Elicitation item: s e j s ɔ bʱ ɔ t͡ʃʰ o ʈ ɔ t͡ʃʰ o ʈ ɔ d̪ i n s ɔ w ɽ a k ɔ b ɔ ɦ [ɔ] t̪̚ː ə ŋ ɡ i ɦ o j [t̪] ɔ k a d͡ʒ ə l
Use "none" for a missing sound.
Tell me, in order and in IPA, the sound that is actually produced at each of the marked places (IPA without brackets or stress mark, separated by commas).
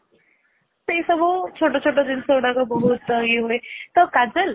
u, t̪